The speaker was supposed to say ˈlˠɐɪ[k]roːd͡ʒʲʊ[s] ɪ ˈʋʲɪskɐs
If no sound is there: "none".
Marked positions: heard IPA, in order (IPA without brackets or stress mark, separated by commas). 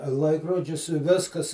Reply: k, s